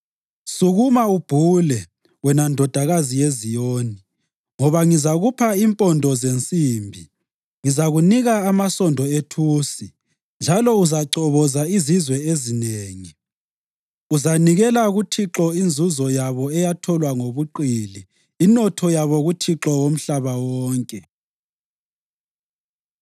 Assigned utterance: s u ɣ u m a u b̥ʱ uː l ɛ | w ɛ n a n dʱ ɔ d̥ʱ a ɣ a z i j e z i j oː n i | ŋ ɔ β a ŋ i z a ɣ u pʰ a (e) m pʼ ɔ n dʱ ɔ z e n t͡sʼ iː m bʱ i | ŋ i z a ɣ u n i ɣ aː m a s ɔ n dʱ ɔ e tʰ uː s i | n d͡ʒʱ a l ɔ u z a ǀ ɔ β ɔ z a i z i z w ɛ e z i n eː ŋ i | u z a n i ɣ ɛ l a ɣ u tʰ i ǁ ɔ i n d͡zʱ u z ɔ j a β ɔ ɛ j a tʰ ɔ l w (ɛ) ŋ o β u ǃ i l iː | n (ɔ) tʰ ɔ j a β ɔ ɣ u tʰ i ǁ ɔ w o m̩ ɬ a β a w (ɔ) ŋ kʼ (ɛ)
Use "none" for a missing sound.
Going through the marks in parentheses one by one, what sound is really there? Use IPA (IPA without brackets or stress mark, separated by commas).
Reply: i, a, ɔ, ɔː, ɛ